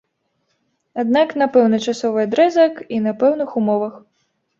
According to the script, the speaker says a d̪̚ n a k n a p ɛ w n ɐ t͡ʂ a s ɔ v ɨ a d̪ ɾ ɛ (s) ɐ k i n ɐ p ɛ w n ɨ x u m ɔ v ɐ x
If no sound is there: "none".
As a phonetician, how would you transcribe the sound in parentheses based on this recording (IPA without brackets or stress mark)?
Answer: z